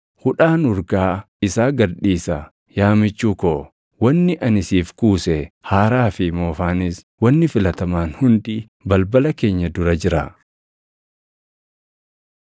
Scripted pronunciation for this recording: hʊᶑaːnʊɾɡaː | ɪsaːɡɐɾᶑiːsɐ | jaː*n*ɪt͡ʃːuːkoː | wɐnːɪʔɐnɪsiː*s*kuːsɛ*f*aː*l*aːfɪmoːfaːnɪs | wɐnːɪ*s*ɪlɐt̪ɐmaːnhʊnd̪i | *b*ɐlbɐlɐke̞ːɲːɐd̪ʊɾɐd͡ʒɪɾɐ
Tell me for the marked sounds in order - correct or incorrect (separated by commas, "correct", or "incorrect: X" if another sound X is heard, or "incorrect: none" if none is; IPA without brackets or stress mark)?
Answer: incorrect: m, incorrect: f, incorrect: h, incorrect: ɾ, incorrect: f, correct